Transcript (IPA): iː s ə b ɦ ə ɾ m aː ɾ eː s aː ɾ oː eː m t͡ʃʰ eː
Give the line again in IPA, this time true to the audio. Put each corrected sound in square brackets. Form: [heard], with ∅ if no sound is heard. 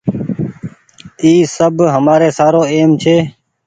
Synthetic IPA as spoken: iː s ə b ɦ ə [∅] m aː ɾ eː s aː ɾ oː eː m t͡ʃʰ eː

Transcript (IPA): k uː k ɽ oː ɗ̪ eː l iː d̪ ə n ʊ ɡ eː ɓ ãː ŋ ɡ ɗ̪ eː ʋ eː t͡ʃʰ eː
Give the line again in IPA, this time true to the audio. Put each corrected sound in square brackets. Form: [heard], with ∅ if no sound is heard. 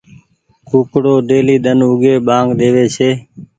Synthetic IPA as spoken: k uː k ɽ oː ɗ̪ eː l iː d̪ ə n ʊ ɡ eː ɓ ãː ŋ ɡ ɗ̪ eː ʋ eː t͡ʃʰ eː

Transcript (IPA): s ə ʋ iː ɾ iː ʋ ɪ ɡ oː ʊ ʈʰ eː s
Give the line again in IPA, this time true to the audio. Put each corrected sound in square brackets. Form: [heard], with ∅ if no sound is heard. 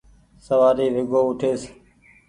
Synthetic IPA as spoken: s ə ʋ [aː] ɾ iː ʋ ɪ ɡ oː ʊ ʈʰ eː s

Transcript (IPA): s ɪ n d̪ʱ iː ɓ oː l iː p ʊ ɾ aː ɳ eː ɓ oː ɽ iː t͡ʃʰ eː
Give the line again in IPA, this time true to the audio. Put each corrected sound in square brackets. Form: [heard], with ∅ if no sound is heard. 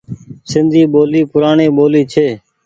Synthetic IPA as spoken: s ɪ n d̪ʱ iː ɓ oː l iː p ʊ ɾ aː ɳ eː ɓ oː [l] iː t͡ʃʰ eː

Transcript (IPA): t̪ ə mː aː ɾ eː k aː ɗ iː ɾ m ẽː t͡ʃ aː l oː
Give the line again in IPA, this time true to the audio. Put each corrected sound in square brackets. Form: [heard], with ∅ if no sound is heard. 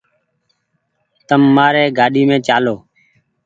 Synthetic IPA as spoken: t̪ ə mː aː ɾ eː [ɡ] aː ɗ iː [∅] m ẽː t͡ʃ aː l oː

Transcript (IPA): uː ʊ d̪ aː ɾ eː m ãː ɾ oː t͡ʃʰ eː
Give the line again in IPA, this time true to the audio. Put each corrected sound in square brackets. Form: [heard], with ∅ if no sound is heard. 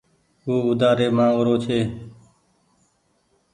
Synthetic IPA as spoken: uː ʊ d̪ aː ɾ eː m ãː ɾ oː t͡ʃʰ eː

